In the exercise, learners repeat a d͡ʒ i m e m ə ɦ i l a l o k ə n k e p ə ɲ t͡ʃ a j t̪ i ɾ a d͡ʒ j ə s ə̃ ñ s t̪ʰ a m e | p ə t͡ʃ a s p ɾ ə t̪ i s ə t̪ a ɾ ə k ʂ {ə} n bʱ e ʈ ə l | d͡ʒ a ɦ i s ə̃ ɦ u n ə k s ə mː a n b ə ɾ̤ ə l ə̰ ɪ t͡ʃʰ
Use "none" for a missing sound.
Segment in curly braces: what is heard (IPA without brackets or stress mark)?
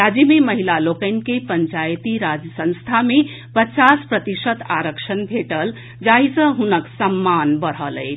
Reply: ə